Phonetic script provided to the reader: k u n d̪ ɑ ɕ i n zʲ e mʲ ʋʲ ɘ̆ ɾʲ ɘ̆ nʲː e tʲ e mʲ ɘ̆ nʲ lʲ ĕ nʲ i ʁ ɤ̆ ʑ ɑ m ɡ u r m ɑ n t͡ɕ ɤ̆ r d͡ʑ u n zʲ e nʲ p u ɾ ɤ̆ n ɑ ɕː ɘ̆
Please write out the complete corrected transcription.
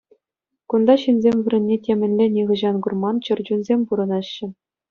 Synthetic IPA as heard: k u n d̪ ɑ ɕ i n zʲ e mʲ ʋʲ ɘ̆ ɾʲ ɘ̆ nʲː e tʲ e mʲ ɘ̆ nʲ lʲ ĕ nʲ i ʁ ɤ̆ ʑ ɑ n ɡ u r m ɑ n t͡ɕ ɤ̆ r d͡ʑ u n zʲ e mʲ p u ɾ ɤ̆ n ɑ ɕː ɘ̆